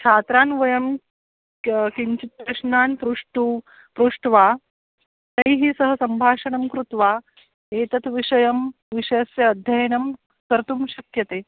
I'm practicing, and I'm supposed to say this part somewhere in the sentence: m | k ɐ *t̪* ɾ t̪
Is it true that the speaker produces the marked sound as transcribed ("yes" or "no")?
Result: no